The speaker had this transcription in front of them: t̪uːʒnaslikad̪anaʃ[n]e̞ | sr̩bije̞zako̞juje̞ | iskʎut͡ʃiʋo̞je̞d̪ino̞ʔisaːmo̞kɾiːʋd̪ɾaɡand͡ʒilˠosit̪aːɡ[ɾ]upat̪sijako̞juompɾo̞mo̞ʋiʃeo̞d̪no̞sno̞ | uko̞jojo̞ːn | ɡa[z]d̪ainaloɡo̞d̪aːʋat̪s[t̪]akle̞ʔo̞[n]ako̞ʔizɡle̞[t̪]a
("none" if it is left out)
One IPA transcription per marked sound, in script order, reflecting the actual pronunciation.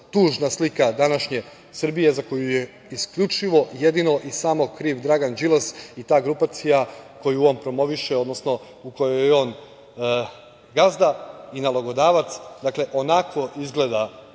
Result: ɲ, ɾ, z, d̪, n, d̪

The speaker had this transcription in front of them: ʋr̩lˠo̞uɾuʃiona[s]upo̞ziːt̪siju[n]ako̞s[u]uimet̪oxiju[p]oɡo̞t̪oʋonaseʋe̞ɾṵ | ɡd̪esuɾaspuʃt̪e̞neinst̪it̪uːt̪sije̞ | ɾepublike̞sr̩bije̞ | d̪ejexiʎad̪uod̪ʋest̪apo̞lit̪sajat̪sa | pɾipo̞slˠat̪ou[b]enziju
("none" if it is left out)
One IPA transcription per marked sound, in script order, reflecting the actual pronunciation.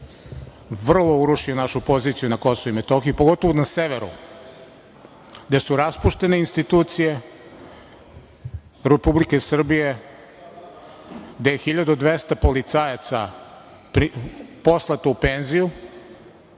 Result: ʃ, n, o, p, p

